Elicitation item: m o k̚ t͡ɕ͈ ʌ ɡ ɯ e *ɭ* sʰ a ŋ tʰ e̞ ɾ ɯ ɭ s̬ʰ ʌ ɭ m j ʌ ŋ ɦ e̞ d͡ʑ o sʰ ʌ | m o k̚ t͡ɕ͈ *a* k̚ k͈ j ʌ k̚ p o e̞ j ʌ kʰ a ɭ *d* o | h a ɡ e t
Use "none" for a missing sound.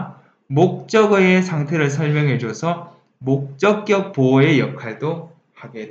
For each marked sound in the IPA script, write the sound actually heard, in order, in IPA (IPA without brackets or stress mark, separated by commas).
none, ʌ, d